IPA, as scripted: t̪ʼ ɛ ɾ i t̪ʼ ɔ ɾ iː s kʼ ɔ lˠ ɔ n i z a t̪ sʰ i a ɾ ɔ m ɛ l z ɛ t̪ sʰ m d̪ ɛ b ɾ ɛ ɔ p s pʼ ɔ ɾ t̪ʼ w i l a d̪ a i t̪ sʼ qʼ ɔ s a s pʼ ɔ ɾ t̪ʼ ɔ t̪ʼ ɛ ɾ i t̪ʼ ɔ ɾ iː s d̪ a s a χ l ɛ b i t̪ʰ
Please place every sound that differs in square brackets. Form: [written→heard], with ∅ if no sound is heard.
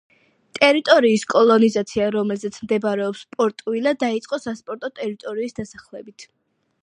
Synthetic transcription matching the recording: t̪ʼ ɛ ɾ i t̪ʼ ɔ ɾ iː s kʼ ɔ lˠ ɔ n i z a t̪ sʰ i a ɾ ɔ m ɛ l z ɛ t̪ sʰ m d̪ ɛ b ɾ ɛ ɔ p s pʼ ɔ ɾ t̪ʼ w i l a d̪ a i t̪ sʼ qʼ ɔ s a s pʼ ɔ ɾ t̪ʼ ɔ t̪ʼ ɛ ɾ i t̪ʼ ɔ ɾ iː s d̪ a s a χ l ɛ b i t̪ʰ